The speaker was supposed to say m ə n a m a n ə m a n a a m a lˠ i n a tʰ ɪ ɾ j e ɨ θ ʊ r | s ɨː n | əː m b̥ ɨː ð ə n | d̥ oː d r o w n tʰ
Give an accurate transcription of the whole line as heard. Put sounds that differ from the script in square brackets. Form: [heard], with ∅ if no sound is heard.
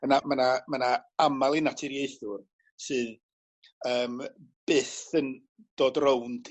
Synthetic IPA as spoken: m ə n a m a n [a] m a n a a m a lˠ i n a tʰ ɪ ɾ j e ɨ θ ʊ r | s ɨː n | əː m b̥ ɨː [θ] ə n | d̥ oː d r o w n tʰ